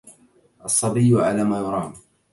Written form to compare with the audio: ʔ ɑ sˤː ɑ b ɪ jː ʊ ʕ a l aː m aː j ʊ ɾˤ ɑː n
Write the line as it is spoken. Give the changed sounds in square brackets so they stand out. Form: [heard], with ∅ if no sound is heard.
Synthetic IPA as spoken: ʔ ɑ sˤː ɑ b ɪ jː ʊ ʕ a l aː m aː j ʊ ɾˤ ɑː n